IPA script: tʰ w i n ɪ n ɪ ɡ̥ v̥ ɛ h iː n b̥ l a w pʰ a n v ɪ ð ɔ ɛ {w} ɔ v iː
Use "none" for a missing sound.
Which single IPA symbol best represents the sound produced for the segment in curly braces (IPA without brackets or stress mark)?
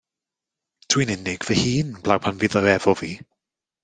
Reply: v